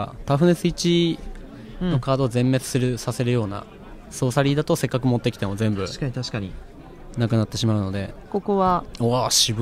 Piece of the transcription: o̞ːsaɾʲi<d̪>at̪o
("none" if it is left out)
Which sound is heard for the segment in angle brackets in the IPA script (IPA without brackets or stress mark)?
d̪